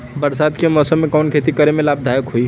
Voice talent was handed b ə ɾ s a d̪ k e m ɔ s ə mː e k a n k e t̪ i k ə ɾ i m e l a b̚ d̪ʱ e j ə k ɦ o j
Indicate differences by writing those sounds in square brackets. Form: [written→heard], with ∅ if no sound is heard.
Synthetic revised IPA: b ə ɾ s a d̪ k e m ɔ s ə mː e k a n [k→kʰ] e t̪ i k ə ɾ [i→e] m e l a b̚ d̪ʱ [e→a] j ə k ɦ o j